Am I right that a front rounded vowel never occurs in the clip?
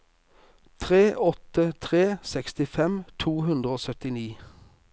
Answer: no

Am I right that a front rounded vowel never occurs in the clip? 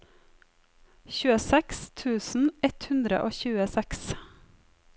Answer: yes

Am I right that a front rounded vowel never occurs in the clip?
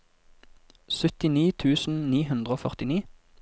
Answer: no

